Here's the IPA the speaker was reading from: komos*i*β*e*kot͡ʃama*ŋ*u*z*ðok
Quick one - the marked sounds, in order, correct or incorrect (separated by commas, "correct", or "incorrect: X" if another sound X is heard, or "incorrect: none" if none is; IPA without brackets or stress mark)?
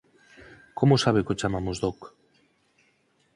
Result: incorrect: a, correct, incorrect: m, correct